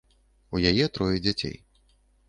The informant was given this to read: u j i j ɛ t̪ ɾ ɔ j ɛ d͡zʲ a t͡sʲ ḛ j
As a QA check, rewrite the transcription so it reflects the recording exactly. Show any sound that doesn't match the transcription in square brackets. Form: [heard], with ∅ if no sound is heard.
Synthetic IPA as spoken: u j [a] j ɛ t̪ ɾ ɔ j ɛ d͡zʲ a t͡sʲ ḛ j

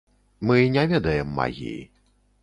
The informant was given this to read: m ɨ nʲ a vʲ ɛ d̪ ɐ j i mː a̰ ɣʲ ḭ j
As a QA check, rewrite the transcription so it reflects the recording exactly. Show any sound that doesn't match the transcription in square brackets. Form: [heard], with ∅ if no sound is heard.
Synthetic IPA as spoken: m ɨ nʲ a vʲ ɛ d̪ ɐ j [ɛ] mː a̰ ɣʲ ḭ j

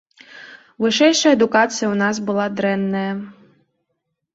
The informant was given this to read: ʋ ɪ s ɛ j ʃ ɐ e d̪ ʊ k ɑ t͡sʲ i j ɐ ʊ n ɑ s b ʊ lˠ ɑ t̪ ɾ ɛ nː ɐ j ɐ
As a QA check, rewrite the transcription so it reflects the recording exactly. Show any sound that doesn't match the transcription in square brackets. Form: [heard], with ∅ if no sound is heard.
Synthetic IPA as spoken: ʋ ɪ [ʃ] ɛ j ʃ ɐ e d̪ ʊ k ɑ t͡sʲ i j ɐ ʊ n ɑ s b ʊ lˠ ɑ [d̪] ɾ ɛ nː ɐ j ɐ

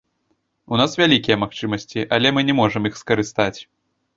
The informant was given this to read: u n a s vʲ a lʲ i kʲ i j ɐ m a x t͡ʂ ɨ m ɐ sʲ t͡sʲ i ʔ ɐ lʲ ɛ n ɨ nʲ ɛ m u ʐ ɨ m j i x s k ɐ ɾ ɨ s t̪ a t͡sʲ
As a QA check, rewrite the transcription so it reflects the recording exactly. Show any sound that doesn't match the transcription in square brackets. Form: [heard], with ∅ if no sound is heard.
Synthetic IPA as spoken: u n a s vʲ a lʲ i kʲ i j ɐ m a x t͡ʂ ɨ m ɐ sʲ t͡sʲ i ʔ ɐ lʲ ɛ [m] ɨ nʲ ɛ m [ɔ] ʐ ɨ m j i x s k ɐ ɾ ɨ s t̪ a t͡sʲ

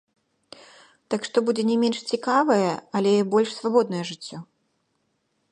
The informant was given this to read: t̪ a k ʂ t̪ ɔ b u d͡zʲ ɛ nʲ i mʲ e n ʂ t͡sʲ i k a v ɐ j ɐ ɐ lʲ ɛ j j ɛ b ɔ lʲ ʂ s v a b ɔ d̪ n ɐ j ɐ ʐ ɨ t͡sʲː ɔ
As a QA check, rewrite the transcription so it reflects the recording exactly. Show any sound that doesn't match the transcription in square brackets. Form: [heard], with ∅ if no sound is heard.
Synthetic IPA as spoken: t̪ a k ʂ t̪ ɔ b u d͡zʲ ɛ nʲ [ɛ] mʲ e n ʂ t͡sʲ i k a v ɐ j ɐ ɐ lʲ ɛ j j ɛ b ɔ lʲ ʂ s v a b ɔ d̪ n ɐ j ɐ ʐ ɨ t͡sʲː ɔ

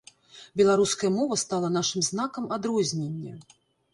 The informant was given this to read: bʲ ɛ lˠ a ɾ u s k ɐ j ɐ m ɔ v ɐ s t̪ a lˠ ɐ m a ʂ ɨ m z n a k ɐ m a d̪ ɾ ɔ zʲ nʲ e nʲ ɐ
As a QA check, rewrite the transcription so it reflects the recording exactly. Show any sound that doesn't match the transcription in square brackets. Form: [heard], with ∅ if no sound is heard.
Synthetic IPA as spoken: bʲ ɛ lˠ a ɾ u s k ɐ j ɐ m ɔ v ɐ s t̪ a lˠ ɐ [n] a ʂ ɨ m z n a k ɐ m a d̪ ɾ ɔ zʲ nʲ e [nʲː] ɐ

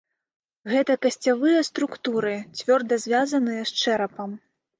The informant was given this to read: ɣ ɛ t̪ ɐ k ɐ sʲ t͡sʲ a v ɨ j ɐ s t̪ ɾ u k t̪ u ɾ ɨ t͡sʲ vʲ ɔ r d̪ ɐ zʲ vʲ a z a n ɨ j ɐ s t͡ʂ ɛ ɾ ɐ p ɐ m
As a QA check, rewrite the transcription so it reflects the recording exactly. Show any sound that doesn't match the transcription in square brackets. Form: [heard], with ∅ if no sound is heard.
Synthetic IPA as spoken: ɣ ɛ t̪ ɐ k ɐ sʲ t͡sʲ a v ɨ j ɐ s t̪ ɾ u k t̪ u ɾ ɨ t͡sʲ vʲ ɔ r d̪ ɐ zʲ vʲ a z [ɐ] n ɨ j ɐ s t͡ʂ ɛ ɾ ɐ p ɐ m

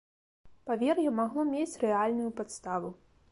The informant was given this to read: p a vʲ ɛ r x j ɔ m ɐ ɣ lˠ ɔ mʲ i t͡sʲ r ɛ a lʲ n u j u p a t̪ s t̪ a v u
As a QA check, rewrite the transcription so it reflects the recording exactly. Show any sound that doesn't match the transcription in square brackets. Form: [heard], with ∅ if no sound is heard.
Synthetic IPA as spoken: p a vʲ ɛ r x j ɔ m [a] ɣ lˠ ɔ mʲ [e] t͡sʲ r ɛ a lʲ n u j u p a t̪ s t̪ a v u

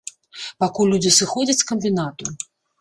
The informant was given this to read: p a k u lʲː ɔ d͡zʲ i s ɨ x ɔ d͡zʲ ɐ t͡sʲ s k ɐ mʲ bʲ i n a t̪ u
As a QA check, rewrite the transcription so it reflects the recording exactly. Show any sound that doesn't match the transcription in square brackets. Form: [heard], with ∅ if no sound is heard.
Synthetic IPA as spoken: p a k u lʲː [u] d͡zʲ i s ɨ x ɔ d͡zʲ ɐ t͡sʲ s k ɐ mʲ bʲ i n a t̪ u

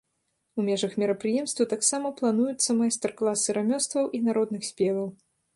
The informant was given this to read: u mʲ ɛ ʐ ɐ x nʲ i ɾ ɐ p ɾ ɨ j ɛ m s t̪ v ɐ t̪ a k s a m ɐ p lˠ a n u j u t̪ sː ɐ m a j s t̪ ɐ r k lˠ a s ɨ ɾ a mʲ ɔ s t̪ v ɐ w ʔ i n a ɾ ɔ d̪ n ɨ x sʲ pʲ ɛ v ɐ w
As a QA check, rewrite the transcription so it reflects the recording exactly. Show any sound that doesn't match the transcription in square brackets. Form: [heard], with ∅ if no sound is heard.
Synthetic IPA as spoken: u mʲ ɛ ʐ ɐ x [mʲ] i ɾ ɐ p ɾ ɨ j ɛ m s t̪ v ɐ t̪ a k s a m ɐ p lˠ a n u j u t̪ sː ɐ m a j s t̪ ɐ r k lˠ a s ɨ ɾ a mʲ ɔ s t̪ v ɐ w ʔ i n a ɾ ɔ d̪ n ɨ x sʲ pʲ ɛ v ɐ w

